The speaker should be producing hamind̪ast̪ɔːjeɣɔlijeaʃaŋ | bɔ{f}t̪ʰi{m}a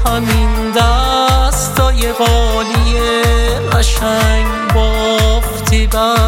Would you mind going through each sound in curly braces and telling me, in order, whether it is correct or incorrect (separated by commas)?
correct, incorrect